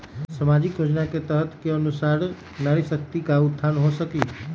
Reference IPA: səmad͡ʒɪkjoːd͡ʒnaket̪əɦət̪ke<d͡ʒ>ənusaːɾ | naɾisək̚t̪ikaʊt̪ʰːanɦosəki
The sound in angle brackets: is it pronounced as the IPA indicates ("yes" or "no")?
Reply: no